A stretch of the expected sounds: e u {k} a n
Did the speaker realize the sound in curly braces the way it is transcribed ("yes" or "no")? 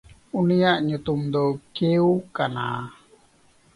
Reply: yes